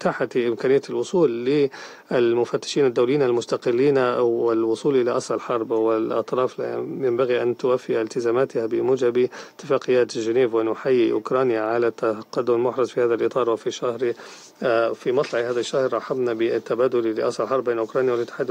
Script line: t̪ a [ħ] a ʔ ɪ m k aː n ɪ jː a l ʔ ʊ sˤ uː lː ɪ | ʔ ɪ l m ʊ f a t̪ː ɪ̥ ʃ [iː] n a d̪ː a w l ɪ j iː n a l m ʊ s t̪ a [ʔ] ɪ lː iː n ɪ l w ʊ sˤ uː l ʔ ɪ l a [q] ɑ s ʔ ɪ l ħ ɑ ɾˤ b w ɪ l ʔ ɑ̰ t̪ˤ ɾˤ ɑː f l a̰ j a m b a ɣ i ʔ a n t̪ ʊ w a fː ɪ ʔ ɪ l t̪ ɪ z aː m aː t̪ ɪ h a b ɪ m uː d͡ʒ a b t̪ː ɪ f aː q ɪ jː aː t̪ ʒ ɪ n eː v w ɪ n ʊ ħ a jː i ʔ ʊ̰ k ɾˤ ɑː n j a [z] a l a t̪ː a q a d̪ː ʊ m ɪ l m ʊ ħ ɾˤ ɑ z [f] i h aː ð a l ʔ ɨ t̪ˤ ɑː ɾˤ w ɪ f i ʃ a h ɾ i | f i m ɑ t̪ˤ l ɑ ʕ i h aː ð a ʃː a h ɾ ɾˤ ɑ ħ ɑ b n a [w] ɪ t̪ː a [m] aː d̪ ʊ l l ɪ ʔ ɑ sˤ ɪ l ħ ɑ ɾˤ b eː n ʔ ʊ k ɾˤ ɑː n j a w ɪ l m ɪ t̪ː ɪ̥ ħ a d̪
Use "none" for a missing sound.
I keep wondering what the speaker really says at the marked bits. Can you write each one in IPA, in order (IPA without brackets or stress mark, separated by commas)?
ħ, iː, q, ʔ, ʕ, f, b, b